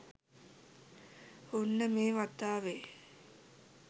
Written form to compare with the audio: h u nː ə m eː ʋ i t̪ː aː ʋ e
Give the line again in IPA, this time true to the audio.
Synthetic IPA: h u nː ə m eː ʋ a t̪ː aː ʋ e